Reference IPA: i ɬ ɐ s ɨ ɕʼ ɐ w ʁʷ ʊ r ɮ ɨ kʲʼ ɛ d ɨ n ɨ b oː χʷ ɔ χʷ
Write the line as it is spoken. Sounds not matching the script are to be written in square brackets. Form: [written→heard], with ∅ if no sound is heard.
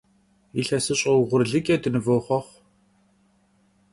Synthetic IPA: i ɬ ɐ s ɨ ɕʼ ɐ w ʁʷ ʊ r ɮ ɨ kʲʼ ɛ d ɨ n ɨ [b→v] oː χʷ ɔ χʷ